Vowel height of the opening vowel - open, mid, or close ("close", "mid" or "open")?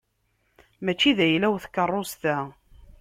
open